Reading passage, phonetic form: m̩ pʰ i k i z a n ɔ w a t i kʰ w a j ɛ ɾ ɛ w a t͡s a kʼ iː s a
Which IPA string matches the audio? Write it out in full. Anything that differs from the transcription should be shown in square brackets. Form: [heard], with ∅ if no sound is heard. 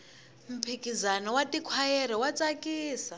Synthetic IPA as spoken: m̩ pʰ i k i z a n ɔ w a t i kʰ w a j ɛ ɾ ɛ w a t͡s a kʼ iː s a

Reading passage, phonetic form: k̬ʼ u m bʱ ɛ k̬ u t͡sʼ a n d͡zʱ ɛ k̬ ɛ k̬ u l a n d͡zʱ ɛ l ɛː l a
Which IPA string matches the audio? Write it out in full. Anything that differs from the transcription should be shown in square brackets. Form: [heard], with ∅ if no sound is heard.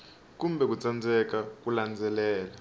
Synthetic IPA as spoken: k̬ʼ u m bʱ ɛ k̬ u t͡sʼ a n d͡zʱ ɛ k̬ [a] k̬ u l a n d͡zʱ ɛ l ɛː l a

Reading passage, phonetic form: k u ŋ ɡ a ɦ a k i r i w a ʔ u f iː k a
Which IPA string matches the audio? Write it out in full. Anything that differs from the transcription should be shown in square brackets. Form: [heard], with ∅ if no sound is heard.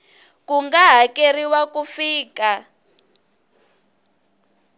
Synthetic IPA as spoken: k u ŋ ɡ a ɦ a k [e] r i w a [k] u f iː k a

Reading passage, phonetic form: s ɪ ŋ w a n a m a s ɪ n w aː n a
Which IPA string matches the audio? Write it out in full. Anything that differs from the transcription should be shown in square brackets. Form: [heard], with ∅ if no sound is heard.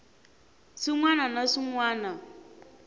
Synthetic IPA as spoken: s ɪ ŋ w a n a [n] a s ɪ [ŋ] w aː n a

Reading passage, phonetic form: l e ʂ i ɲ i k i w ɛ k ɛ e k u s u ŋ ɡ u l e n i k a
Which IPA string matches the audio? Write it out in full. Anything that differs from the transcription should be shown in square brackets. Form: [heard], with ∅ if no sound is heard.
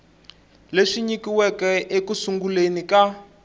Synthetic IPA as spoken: l e ʂ i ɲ i k i w ɛ k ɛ e k u s u ŋ ɡ u l e n i k a

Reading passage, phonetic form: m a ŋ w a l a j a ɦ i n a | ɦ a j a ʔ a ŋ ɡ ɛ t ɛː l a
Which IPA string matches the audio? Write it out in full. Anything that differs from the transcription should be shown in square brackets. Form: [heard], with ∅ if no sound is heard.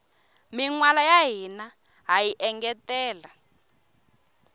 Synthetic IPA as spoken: m [i] ŋ w a l a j a ɦ i n a | ɦ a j [i] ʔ [ɛ] ŋ ɡ ɛ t ɛː l a

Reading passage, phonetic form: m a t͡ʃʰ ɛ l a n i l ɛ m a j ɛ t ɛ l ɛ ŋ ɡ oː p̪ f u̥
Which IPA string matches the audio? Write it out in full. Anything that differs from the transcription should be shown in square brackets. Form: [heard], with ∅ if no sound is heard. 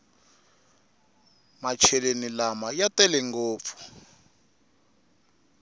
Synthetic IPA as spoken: m a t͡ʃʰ ɛ l [e] n i l [a] m a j [a] t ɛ l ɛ ŋ ɡ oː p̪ f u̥

